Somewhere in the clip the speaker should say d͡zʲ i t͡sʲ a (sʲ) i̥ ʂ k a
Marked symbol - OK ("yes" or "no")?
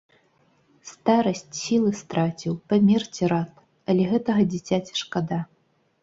no